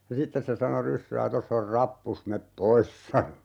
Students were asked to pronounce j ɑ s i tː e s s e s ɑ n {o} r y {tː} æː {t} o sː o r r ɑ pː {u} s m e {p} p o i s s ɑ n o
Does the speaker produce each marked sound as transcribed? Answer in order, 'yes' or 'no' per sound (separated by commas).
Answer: yes, no, yes, yes, yes